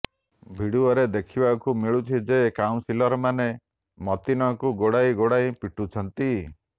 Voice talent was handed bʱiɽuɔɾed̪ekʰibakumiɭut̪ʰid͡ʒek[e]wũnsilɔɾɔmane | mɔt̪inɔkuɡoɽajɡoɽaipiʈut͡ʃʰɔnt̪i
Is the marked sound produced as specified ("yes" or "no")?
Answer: no